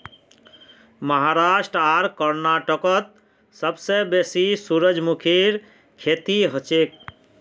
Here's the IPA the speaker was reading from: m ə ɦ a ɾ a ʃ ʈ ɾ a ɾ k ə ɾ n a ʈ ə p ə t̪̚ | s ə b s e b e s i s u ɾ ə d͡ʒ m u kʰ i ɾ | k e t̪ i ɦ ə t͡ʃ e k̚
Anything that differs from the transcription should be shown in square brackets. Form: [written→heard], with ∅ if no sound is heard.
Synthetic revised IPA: m ə ɦ a ɾ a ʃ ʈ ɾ a ɾ k ə ɾ n a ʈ ə [p→k] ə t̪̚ | s ə b s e b e s i s u ɾ ə d͡ʒ m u kʰ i ɾ | [k→kʰ] e t̪ i ɦ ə t͡ʃ e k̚